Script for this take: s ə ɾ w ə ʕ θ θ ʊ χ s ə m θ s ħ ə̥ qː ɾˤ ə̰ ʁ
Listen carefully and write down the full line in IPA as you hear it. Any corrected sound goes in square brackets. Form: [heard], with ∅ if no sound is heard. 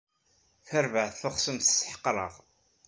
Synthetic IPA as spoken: [θ] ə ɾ [v] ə ʕ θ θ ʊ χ s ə m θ s ħ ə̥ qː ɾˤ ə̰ ʁ